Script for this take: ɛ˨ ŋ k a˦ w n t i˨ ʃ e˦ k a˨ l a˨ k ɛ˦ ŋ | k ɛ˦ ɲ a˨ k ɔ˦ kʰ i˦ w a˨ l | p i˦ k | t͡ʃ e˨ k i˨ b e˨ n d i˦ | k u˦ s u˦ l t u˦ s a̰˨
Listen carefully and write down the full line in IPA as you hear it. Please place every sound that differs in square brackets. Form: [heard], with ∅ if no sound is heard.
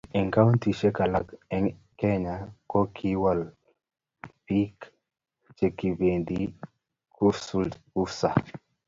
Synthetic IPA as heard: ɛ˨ ŋ k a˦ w n t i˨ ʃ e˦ k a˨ l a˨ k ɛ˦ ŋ | k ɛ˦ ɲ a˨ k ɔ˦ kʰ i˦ w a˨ l | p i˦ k | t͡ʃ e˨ k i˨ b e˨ n d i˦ | k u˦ s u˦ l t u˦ s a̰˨

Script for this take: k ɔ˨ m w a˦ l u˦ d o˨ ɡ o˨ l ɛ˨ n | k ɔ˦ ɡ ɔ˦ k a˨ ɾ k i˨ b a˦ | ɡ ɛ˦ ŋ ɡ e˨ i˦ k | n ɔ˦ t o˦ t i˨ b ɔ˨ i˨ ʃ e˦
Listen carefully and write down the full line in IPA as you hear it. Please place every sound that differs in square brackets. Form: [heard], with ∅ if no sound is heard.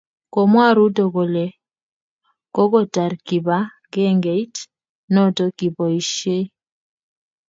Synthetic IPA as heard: k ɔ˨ m w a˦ [ɾ] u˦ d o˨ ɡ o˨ l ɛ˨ [∅] | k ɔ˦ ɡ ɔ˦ [t] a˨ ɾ k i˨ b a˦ | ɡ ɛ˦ ŋ ɡ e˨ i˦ [t] | n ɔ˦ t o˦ [k] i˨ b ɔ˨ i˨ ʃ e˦

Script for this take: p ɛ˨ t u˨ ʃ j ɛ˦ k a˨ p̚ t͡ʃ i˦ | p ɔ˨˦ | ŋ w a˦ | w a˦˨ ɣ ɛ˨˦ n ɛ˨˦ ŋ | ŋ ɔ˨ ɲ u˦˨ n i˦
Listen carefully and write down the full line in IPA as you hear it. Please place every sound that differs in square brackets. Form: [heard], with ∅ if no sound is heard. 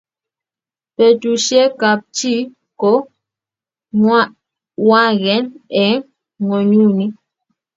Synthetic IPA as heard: p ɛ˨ t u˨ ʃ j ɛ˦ k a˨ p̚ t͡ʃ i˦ | [k] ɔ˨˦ | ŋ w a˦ | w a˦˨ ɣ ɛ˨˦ n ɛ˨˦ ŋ | ŋ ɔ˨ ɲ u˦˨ n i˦

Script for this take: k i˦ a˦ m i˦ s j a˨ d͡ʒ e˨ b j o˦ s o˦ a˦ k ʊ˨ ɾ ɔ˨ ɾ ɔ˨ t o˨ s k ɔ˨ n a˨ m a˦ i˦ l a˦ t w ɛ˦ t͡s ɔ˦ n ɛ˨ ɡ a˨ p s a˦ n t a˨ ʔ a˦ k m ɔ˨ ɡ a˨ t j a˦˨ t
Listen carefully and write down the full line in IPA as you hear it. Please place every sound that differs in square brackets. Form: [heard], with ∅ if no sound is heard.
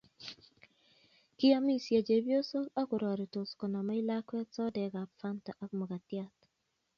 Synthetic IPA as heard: k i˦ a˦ m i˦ s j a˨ d͡ʒ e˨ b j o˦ s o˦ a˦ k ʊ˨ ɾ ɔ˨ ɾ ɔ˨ t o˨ s k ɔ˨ n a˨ m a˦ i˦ l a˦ [k] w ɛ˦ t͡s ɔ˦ [d] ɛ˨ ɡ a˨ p [f] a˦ n t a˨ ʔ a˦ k m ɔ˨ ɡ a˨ t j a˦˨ t

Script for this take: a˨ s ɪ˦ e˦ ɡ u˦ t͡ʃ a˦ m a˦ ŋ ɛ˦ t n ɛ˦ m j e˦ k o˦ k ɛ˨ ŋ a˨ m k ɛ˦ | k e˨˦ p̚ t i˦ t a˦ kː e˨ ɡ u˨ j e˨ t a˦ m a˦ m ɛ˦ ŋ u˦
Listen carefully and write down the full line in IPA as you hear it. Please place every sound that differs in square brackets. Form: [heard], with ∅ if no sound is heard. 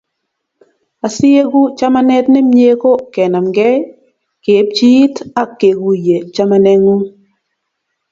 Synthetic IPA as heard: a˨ s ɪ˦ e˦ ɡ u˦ t͡ʃ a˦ m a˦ [n] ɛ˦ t n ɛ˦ m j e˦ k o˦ k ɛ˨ [n] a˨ m [ɡ] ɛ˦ | k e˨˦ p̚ [t͡ʃ] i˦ t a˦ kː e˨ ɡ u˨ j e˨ [t͡ʃ] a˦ m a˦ [n] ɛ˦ ŋ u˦

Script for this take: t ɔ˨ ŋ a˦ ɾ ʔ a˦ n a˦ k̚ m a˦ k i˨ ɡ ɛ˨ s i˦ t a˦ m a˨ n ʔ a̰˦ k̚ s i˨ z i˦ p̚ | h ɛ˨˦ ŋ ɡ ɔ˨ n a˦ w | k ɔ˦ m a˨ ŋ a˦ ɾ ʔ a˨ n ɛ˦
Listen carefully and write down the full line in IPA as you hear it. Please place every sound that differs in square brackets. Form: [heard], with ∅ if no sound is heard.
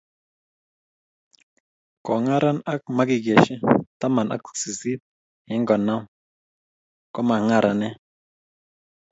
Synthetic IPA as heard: [k] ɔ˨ ŋ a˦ ɾ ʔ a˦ n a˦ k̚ m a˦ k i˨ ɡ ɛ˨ [ʃ] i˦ t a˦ m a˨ n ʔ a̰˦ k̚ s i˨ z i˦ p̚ | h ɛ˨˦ ŋ ɡ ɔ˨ n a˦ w | k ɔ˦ m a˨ ŋ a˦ ɾ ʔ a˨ n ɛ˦

